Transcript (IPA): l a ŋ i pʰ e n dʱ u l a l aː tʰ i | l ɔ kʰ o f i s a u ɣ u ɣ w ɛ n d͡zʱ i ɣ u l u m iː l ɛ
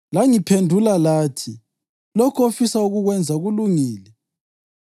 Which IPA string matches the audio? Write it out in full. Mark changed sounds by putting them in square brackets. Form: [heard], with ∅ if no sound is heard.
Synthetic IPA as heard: l a ŋ i pʰ e n dʱ u l a l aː tʰ i | l ɔ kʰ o f i s a u ɣ u ɣ w ɛ n d͡zʱ [a] ɣ u l u [ŋ] iː l ɛ